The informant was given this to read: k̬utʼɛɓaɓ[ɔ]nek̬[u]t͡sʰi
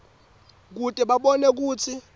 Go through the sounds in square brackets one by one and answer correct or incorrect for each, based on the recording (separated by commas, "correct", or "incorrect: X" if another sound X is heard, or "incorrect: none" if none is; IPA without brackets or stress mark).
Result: correct, incorrect: uː